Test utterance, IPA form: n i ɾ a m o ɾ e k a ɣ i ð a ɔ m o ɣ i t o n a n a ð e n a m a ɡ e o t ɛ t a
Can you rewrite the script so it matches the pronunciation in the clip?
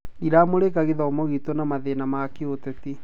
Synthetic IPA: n i ɾ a m o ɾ e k a ɣ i ð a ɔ m o ɣ i t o n a m a ð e n a m a k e o t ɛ t i